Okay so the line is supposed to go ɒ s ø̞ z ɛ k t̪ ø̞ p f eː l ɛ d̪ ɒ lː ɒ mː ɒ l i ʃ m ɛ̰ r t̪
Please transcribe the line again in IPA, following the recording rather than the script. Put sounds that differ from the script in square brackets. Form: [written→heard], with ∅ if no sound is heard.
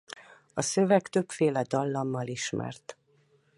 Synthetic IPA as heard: ɒ s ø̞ [z→v] ɛ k t̪ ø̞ p f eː l ɛ d̪ ɒ lː ɒ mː ɒ l i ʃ m ɛ̰ r t̪